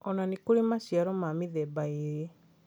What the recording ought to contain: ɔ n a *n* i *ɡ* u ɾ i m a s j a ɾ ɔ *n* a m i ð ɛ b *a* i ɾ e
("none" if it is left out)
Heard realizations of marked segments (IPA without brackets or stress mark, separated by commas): n, k, m, a